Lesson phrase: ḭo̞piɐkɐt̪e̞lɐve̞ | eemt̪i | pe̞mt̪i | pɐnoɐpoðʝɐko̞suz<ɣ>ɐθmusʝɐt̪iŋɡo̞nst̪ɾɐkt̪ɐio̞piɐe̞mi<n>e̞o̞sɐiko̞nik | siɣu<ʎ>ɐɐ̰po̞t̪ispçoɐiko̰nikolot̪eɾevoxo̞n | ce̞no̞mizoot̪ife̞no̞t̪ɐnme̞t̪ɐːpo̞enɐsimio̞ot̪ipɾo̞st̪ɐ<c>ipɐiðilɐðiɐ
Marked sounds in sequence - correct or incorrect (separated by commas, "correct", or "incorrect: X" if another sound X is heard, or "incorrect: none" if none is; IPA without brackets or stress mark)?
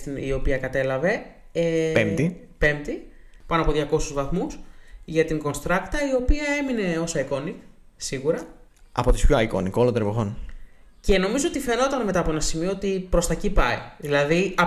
incorrect: v, correct, incorrect: ɾ, correct